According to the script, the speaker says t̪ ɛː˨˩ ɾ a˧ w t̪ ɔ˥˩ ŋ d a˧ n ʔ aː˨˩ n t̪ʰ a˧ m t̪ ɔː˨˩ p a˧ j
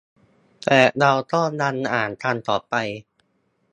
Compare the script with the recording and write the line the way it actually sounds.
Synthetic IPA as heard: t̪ ɛː˨˩ ɾ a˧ w t̪ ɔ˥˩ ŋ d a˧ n ʔ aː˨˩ n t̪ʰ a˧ n t̪ ɔː˨˩ p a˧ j